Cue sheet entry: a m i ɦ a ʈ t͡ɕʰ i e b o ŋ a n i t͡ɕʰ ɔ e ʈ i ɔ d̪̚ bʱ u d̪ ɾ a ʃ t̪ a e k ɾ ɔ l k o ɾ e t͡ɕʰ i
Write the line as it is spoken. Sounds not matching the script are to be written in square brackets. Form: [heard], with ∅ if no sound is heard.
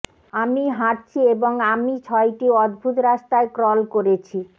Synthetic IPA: a m i ɦ a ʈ t͡ɕʰ i e b o ŋ a [m] i t͡ɕʰ ɔ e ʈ i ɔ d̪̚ bʱ u [t̪] ɾ a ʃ t̪ a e k ɾ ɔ l k o ɾ e t͡ɕʰ i

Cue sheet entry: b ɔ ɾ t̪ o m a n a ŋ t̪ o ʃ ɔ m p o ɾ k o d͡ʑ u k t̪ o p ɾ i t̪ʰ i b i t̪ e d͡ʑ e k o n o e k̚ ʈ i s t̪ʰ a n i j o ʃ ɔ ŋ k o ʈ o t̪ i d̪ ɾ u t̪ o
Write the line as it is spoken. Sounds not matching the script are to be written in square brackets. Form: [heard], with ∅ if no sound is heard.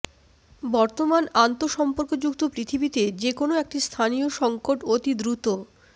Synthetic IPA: b ɔ ɾ t̪ o m a n a [n] t̪ o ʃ ɔ m p o ɾ k o d͡ʑ u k t̪ o p ɾ i t̪ʰ i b i t̪ e d͡ʑ e k o n o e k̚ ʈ i s t̪ʰ a n i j o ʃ ɔ ŋ k o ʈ o t̪ i d̪ ɾ u t̪ o

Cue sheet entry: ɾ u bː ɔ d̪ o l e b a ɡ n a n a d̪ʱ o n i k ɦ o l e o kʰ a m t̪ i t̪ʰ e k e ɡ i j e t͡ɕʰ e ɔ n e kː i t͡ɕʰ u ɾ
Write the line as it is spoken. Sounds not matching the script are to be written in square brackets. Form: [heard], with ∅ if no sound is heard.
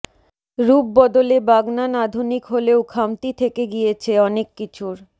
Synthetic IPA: ɾ u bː ɔ d̪ o l e b a ɡ n a n a d̪ʱ [u] n i k ɦ o l e o kʰ a m t̪ i t̪ʰ e k e ɡ i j e t͡ɕʰ e ɔ n e kː i t͡ɕʰ u ɾ

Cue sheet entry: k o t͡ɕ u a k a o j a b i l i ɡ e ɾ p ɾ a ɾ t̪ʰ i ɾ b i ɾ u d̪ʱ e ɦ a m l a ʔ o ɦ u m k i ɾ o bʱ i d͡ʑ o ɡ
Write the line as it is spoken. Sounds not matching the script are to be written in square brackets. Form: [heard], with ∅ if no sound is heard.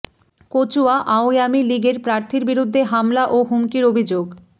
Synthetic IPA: k o t͡ɕ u a [ʔ] a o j a [m] i l i ɡ e ɾ p ɾ a ɾ t̪ʰ i ɾ b i ɾ u [d̪ʱː] e ɦ a m l a ʔ o ɦ u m k i ɾ o bʱ i d͡ʑ o ɡ

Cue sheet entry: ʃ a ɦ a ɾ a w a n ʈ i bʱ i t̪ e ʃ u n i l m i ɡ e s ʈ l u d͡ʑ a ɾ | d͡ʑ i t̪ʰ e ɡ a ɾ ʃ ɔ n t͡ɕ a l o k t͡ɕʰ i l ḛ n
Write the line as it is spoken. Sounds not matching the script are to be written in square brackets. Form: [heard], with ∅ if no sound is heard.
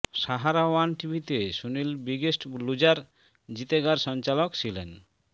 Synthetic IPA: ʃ a ɦ a ɾ a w a n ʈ i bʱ i t̪ e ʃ u n i l [b] i ɡ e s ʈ l u d͡ʑ a ɾ | d͡ʑ i [t̪] e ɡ a ɾ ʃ ɔ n t͡ɕ a l o k t͡ɕʰ i l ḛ n

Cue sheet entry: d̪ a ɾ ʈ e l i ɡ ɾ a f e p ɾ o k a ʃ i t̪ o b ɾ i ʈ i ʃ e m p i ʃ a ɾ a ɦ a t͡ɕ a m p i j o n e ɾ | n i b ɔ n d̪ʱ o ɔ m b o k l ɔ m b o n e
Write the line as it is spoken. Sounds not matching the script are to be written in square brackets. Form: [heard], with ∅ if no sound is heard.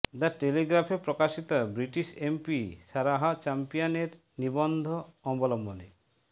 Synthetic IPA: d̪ a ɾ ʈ e l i ɡ ɾ a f e p ɾ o k a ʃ i t̪ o b ɾ i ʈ i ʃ e m p i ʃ a ɾ a ɦ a t͡ɕ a m p i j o n e ɾ | n i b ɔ n d̪ʱ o ɔ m b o [∅] l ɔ m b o n e

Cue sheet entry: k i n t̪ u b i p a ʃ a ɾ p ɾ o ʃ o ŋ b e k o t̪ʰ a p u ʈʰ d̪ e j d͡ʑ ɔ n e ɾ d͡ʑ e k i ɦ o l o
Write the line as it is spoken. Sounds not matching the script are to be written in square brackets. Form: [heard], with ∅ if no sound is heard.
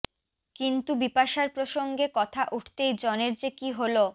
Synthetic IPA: k i n t̪ u b i p a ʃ a ɾ p ɾ o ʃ o ŋ [ɡ] e k [ɔ] t̪ʰ a [ʔ] u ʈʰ [t̪] e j d͡ʑ ɔ n e ɾ d͡ʑ e k i ɦ o l o

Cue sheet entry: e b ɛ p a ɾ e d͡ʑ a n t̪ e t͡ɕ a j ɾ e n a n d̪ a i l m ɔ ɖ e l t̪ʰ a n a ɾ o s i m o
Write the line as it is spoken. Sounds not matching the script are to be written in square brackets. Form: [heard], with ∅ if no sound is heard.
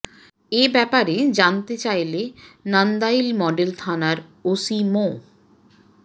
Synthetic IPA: e b ɛ p a ɾ e d͡ʑ a n t̪ e t͡ɕ a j [l] e n a n d̪ a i l m ɔ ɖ e l t̪ʰ a n a ɾ o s i m o

